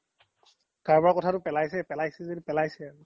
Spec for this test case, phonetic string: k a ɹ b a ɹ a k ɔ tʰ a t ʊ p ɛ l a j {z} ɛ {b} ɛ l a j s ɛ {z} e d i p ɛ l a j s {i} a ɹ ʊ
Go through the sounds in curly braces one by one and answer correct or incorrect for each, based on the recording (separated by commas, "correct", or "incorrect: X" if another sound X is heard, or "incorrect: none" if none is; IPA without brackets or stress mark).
incorrect: s, incorrect: p, correct, incorrect: ɛ